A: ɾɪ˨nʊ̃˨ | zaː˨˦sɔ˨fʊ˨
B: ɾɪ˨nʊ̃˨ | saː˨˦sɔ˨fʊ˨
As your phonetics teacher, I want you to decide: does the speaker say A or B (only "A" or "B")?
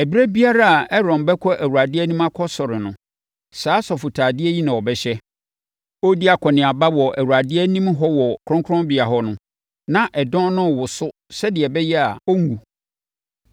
B